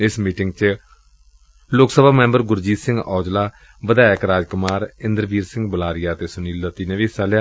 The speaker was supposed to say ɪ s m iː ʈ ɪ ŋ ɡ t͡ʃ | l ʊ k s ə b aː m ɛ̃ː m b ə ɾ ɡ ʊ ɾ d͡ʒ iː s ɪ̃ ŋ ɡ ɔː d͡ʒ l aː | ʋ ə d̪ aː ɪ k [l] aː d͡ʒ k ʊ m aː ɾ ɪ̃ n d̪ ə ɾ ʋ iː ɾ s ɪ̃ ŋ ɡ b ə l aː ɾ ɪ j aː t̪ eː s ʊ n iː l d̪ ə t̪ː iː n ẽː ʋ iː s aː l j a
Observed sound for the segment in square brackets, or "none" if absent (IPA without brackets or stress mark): ɾ